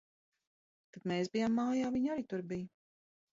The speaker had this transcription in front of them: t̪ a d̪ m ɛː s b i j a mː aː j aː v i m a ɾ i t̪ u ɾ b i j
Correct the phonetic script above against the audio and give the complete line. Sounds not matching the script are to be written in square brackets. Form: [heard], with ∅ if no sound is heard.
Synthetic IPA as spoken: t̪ a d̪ m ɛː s b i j a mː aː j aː v i [ɲ] a ɾ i t̪ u ɾ b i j